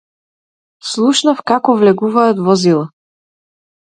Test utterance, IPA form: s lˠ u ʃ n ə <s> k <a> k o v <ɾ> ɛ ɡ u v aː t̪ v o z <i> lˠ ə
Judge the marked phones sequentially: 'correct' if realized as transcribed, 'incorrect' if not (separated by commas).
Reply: incorrect, correct, incorrect, correct